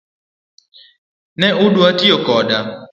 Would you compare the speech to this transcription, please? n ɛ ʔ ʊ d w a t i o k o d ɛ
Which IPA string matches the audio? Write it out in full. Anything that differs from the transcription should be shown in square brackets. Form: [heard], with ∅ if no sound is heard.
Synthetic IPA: n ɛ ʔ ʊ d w a t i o k [ɔ] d [a]